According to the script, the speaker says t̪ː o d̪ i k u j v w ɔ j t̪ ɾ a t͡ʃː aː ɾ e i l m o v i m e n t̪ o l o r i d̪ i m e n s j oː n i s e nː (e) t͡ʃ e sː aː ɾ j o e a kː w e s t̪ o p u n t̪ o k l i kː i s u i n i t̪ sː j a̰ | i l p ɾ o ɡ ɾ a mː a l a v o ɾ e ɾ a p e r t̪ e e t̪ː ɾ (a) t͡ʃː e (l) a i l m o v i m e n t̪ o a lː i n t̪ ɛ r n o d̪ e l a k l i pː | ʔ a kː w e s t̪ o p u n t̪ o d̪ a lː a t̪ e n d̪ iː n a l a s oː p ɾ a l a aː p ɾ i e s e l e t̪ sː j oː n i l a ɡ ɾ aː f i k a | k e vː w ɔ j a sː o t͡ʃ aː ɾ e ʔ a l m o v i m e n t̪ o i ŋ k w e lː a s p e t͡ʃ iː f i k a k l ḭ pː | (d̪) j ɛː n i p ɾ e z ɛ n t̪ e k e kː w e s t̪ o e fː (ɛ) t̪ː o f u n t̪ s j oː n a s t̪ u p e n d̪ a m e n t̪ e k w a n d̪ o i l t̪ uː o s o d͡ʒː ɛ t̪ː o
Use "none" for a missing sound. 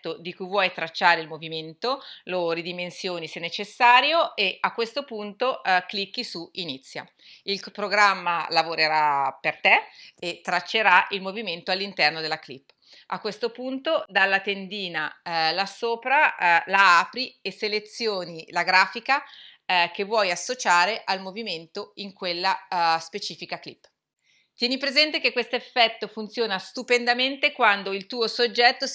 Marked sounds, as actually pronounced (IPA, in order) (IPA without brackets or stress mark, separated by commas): e, a, ɾ, t̪, ɛ